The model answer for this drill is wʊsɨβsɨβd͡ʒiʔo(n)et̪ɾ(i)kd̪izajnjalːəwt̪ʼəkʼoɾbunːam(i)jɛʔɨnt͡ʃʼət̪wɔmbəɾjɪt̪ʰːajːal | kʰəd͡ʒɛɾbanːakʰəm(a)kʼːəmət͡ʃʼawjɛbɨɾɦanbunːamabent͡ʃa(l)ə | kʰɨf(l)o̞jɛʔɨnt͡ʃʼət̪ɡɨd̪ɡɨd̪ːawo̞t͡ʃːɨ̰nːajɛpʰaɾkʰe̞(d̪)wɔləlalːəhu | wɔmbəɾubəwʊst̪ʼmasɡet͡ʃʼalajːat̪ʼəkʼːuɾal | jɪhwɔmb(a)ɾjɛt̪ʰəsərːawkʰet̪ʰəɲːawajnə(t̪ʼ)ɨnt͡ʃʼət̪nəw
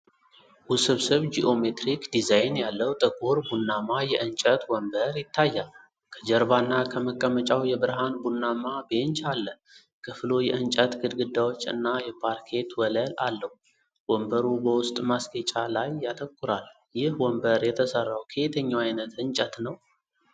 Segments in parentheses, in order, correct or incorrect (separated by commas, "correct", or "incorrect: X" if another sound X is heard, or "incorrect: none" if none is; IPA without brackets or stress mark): incorrect: m, correct, incorrect: a, incorrect: ə, incorrect: lː, correct, incorrect: t̪, incorrect: ə, incorrect: t̪